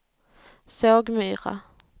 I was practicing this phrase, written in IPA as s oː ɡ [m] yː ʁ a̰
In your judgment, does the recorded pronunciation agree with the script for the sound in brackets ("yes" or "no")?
yes